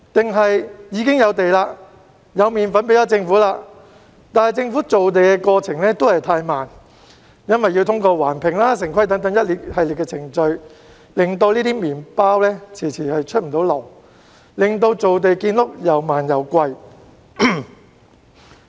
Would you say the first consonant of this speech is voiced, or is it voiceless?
voiceless